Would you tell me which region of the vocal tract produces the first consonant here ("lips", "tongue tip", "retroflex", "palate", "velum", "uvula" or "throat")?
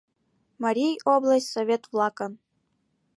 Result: lips